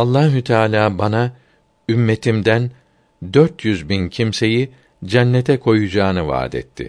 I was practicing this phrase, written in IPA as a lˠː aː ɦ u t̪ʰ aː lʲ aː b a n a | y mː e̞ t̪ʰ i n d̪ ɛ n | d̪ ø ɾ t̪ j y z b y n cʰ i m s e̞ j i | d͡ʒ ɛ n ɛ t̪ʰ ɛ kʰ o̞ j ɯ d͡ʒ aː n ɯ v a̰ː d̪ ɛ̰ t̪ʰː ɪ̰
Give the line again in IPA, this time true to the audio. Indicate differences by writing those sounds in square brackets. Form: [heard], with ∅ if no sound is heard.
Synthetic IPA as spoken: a lˠː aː ɦ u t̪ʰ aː lʲ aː b a n a | y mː e̞ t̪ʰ i [m] d̪ [æ] n | d̪ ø ɾ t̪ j y z b [i] n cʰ i m s e̞ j i | d͡ʒ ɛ [nː] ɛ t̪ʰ ɛ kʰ o̞ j [u] d͡ʒ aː n ɯ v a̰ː d̪ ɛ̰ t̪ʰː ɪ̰